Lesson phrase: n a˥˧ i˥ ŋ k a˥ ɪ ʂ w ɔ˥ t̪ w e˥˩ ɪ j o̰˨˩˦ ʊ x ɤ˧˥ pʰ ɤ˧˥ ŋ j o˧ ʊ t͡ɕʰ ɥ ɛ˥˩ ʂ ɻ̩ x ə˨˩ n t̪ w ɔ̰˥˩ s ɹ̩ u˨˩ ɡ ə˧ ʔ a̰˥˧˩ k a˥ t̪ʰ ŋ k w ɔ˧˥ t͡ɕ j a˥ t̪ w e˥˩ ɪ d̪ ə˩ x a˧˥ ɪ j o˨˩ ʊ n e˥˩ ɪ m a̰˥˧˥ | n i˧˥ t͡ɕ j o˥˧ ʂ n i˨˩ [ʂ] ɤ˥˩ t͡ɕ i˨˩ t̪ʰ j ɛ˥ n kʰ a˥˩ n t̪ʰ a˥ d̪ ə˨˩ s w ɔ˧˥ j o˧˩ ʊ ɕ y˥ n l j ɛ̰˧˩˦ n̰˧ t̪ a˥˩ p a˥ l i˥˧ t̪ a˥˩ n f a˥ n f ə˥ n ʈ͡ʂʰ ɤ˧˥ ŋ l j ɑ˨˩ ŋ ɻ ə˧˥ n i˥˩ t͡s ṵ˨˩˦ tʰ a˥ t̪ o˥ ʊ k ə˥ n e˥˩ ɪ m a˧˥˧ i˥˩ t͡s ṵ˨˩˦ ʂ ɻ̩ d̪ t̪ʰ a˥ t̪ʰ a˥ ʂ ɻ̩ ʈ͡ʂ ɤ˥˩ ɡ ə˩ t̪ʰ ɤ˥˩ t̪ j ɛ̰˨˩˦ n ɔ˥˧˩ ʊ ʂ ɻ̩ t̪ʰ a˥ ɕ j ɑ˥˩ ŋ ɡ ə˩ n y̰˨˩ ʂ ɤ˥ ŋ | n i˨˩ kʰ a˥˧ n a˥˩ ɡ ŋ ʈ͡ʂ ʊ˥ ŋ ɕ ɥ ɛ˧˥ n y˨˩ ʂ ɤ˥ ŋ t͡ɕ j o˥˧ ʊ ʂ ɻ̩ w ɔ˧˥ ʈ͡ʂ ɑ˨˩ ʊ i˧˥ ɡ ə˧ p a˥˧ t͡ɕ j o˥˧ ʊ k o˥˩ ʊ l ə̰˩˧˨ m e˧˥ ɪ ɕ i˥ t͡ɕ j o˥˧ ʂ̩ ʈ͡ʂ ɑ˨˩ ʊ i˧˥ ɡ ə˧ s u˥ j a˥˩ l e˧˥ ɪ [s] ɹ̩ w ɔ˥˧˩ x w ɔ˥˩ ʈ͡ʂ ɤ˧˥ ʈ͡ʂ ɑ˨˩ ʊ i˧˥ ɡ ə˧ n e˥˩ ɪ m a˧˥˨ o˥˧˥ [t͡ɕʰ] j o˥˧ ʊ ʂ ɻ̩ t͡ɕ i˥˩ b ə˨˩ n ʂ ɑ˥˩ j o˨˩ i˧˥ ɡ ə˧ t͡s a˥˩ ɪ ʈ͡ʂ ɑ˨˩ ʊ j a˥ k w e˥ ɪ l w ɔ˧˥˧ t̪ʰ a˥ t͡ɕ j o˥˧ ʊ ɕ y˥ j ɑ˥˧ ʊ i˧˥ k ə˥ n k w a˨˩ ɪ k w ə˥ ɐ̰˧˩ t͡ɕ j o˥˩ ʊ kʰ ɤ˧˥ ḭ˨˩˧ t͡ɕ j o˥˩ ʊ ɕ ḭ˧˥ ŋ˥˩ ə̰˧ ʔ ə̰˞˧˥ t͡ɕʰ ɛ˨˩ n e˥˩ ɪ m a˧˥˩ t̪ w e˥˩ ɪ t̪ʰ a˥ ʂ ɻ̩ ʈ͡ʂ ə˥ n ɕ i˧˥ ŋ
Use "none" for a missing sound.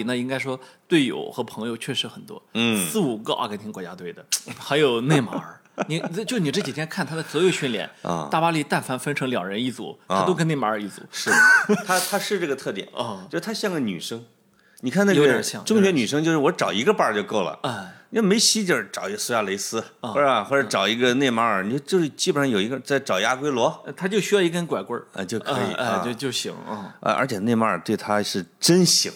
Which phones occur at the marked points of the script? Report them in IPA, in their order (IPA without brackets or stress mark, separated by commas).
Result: ʈ͡ʂ, s, t͡ɕ